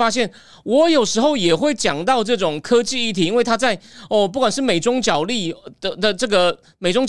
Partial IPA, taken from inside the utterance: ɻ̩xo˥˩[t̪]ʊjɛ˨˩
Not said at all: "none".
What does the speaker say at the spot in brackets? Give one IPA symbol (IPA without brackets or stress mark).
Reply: none